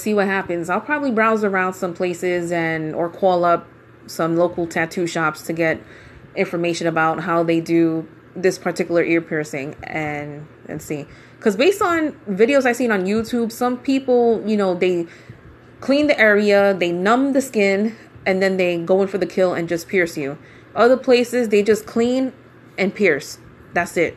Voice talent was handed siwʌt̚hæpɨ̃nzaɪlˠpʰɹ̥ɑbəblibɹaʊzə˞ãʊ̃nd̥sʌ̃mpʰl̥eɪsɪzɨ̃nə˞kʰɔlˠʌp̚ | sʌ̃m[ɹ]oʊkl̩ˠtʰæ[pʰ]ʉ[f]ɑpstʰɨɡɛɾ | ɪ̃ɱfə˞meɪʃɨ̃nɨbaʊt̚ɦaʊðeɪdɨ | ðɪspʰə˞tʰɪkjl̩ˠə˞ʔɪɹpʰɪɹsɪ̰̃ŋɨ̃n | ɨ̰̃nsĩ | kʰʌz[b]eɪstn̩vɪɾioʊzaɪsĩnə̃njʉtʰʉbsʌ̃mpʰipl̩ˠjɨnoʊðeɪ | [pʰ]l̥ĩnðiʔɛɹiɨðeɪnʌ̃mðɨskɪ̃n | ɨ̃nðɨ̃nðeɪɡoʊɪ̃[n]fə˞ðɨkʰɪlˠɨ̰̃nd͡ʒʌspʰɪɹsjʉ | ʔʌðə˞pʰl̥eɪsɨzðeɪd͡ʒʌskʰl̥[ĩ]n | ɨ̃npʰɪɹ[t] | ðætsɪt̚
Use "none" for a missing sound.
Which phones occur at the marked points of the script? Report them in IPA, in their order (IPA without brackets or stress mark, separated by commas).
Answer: l, tʰ, ʃ, b, kʰ, n, ĩ, s